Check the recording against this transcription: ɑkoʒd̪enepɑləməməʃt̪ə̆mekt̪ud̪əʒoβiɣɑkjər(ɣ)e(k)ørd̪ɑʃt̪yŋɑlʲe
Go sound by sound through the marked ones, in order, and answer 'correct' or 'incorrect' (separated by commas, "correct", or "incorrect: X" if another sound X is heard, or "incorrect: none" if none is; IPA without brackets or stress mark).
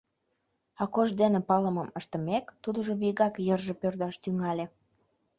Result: incorrect: ʒ, incorrect: p